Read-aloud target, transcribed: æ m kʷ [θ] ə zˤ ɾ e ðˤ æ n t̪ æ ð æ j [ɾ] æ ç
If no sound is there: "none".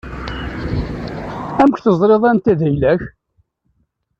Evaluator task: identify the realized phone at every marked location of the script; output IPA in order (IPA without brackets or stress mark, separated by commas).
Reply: θ, l